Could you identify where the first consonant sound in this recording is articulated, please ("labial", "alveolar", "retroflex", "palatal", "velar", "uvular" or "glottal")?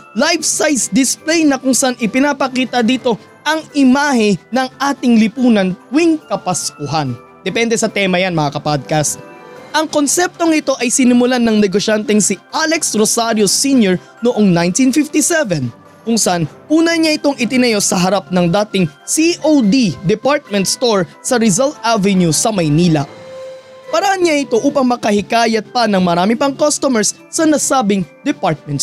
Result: alveolar